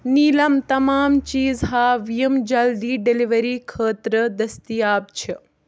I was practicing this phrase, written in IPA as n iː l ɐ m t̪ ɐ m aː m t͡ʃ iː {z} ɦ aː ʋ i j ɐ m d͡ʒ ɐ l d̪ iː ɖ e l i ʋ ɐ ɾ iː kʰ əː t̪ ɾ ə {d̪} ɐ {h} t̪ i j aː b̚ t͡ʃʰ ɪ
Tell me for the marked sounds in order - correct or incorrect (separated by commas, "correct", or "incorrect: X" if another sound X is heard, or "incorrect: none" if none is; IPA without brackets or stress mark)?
correct, correct, incorrect: s